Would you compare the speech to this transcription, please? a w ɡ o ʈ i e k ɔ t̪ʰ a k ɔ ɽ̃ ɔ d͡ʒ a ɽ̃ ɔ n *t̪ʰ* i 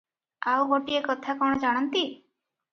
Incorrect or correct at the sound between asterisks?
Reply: incorrect: t̪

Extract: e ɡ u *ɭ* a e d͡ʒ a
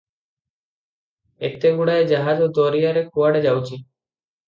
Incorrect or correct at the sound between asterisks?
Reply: incorrect: ɽ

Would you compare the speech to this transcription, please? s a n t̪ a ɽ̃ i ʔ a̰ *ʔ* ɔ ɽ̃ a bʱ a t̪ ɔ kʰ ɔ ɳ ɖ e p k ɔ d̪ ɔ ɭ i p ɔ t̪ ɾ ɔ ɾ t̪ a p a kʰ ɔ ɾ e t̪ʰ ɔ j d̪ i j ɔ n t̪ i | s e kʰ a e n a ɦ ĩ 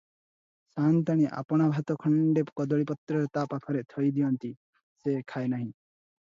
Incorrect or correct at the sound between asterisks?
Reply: incorrect: p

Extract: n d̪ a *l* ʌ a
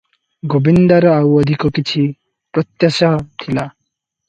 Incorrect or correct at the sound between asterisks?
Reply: incorrect: ɾ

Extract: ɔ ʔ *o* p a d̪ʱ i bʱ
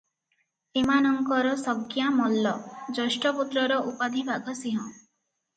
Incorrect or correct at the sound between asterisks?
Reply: incorrect: u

